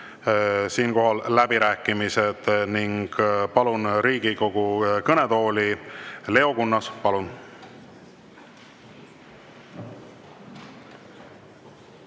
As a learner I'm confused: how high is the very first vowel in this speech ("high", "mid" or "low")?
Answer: high